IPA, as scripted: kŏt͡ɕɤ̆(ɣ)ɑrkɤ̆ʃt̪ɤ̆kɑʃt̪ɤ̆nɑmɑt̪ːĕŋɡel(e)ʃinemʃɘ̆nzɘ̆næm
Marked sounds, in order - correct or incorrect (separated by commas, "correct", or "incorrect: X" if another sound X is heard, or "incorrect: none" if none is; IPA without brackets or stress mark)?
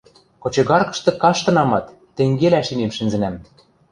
correct, incorrect: æ